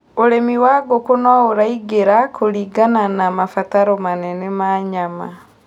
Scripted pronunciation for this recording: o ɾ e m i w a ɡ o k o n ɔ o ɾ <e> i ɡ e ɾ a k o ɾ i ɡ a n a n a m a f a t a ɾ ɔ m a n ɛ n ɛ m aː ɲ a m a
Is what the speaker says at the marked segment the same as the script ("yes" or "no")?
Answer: no